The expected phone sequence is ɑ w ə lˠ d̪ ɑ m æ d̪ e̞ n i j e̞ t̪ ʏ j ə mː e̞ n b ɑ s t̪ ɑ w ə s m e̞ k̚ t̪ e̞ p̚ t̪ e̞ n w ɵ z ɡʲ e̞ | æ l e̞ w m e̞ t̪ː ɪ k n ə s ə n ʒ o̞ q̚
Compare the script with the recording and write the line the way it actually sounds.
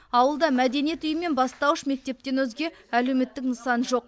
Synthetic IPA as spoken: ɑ w ə lˠ d̪ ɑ m æ d̪ e̞ n i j e̞ t̪ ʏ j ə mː e̞ n b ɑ s t̪ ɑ w ə ʃ m e̞ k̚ t̪ e̞ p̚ t̪ e̞ n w ɵ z ɡʲ e̞ | æ l e̞ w m e̞ t̪ː ɪ k n ə s ɑ n ʒ o̞ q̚